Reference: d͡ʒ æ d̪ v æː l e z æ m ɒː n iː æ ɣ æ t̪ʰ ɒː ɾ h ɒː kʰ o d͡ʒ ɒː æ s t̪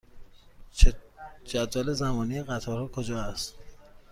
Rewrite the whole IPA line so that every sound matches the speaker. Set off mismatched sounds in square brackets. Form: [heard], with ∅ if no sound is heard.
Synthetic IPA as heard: d͡ʒ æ d̪ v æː l e z æ m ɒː n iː [e] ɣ æ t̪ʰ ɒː ɾ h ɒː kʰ o d͡ʒ ɒː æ s t̪